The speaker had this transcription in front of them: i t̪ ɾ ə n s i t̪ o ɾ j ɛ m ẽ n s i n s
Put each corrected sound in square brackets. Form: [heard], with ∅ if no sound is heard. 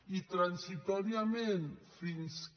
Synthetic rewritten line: i t̪ ɾ [a] n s i t̪ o ɾ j [a] m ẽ n [f] i n s